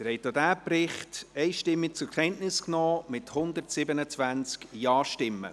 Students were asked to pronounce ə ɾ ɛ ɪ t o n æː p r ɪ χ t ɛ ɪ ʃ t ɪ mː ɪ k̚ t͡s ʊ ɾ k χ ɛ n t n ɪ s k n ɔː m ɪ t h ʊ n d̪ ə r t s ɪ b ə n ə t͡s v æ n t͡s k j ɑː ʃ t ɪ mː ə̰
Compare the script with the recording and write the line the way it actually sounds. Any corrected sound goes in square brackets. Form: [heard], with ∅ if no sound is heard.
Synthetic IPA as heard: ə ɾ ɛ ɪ t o [d] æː p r ɪ χ t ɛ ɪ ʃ t ɪ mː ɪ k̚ t͡s ʊ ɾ k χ ɛ n t n ɪ s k n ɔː m ɪ t h ʊ n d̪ ə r t s ɪ b ə n ə t͡s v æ n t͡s k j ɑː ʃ t ɪ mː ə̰